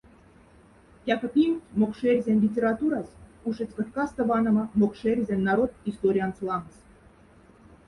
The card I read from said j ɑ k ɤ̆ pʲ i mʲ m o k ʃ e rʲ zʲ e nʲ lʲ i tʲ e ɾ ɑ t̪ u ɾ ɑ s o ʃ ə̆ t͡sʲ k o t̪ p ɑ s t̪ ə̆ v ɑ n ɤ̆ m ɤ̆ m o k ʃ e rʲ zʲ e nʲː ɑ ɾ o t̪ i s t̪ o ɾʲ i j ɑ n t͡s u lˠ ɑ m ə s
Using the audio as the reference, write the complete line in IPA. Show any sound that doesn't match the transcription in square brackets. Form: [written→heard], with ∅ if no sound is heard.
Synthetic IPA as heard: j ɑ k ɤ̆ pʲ i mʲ m o k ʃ e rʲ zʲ e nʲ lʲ i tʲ e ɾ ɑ t̪ u ɾ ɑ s [o→u] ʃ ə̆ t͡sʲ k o t̪ [p→k] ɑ s t̪ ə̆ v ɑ n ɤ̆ m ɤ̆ m o k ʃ e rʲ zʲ e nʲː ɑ ɾ o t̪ i s t̪ o ɾʲ i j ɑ n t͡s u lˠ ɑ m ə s